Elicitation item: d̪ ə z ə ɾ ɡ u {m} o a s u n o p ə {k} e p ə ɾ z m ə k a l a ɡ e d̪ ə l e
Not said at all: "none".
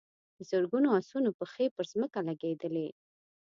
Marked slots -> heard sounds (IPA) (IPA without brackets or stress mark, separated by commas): n, x